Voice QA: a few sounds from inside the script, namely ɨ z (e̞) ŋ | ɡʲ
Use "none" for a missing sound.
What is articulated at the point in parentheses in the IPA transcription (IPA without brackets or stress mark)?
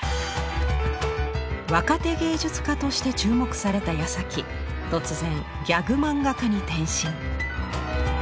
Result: ẽ̞